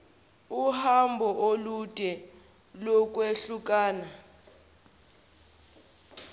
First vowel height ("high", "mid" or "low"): high